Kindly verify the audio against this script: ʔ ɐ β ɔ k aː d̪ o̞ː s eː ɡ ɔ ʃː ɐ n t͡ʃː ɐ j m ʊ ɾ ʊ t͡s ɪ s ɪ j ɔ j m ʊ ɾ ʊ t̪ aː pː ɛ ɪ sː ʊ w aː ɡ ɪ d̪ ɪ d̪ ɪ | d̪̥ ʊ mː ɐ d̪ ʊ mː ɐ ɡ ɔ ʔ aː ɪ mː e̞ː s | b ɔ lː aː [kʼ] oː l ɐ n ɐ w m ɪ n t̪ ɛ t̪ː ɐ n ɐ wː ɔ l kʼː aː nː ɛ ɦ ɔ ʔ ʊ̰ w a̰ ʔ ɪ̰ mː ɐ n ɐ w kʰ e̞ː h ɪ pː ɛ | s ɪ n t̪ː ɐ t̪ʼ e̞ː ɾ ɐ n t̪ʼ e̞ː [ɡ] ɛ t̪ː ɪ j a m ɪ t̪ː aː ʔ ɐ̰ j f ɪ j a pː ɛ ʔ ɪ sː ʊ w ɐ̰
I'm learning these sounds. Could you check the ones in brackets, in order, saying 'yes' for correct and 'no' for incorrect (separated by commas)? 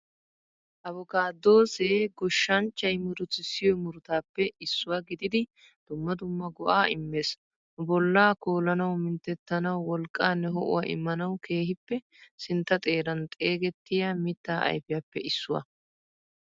no, yes